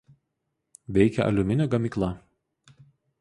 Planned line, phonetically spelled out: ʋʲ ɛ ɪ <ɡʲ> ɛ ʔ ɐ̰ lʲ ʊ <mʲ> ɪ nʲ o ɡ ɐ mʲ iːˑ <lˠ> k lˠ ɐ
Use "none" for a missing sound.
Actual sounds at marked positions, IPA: kʲ, mʲ, none

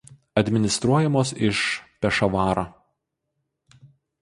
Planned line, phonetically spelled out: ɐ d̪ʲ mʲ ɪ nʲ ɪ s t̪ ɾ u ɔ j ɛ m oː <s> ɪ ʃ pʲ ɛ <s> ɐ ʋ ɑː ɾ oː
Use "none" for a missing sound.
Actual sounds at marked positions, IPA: s, ʃ

